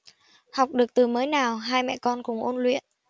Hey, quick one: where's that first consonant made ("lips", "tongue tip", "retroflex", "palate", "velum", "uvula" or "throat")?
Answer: throat